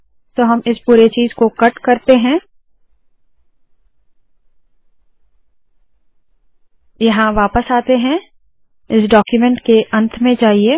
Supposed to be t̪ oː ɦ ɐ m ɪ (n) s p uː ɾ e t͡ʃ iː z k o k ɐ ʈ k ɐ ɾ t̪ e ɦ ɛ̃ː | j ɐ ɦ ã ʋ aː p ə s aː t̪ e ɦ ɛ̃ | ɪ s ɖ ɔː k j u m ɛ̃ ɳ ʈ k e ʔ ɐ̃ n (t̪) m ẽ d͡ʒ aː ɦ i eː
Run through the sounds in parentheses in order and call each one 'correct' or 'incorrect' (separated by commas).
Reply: incorrect, incorrect